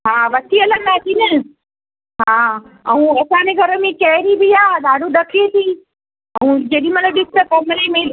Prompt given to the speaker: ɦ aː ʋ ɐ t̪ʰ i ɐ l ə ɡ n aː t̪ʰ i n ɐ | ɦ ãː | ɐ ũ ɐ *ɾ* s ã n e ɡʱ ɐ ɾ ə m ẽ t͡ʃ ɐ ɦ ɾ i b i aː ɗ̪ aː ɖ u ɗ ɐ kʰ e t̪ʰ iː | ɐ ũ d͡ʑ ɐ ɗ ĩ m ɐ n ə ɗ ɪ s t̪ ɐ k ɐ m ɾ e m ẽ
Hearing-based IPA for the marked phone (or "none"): none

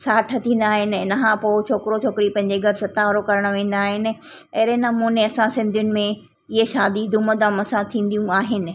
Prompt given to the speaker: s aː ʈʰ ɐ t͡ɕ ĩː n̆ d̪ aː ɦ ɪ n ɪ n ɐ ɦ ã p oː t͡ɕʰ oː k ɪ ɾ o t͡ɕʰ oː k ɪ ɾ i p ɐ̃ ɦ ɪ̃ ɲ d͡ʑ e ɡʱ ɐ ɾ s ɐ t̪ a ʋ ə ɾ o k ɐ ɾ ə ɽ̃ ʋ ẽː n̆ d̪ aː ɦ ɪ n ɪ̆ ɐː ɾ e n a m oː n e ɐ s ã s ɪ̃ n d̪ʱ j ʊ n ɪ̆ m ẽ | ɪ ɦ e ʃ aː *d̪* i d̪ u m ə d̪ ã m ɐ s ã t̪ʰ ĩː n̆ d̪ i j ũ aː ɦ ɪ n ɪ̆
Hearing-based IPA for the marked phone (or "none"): d̪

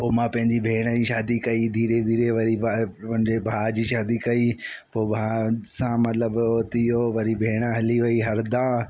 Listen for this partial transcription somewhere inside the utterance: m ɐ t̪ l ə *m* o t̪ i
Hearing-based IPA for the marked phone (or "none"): b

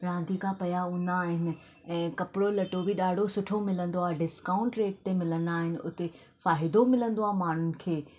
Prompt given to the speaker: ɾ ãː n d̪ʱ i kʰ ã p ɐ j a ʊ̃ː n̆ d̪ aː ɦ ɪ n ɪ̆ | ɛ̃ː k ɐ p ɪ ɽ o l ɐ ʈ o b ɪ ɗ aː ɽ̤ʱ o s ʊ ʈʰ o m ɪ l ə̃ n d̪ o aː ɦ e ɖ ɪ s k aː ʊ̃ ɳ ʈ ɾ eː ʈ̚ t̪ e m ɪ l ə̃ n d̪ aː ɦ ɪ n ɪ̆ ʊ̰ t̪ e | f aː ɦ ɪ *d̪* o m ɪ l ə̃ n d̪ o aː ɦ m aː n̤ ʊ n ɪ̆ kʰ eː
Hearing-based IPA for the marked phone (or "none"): d̪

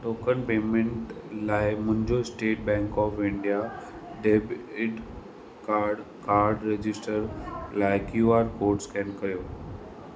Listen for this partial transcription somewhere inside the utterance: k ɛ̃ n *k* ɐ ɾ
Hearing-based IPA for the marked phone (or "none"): k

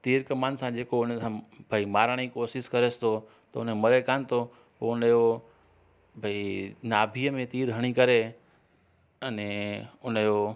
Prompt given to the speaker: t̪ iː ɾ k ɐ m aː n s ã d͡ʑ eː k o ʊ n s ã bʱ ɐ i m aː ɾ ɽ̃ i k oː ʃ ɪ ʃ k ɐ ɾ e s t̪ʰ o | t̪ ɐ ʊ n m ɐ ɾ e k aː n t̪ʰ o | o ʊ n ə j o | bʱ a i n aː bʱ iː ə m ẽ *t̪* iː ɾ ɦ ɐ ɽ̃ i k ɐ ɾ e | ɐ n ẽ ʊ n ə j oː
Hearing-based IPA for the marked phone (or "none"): t̪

